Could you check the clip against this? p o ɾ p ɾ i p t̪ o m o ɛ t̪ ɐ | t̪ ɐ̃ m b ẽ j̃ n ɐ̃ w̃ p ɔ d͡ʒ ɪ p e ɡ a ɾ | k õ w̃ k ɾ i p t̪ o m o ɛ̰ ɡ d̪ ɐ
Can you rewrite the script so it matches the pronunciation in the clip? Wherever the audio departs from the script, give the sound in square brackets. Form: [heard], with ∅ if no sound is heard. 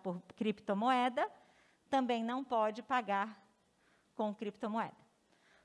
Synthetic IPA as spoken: p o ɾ [k] ɾ i p t̪ o m o ɛ [d̪] ɐ | t̪ ɐ̃ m b ẽ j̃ n ɐ̃ w̃ p ɔ d͡ʒ ɪ p [a] ɡ a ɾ | k õ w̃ k ɾ i p t̪ o m o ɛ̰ [∅] d̪ ɐ